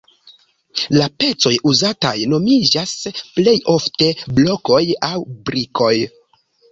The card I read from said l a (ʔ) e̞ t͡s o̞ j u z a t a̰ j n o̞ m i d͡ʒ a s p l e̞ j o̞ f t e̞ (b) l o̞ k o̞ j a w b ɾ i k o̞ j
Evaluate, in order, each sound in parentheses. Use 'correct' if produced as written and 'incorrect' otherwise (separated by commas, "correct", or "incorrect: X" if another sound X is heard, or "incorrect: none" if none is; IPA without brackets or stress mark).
incorrect: p, correct